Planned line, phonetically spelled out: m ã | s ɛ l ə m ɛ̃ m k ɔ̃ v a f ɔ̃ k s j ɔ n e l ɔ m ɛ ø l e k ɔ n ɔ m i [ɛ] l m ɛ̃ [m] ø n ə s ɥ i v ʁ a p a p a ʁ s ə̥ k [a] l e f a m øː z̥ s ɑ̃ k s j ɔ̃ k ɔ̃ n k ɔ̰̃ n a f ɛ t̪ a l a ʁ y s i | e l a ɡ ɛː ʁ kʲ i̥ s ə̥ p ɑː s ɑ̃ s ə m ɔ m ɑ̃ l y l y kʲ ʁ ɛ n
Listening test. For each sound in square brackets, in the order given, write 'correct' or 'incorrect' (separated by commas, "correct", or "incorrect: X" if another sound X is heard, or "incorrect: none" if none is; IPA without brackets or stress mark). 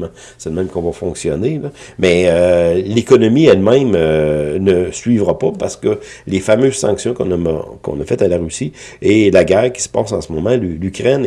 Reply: correct, correct, incorrect: ə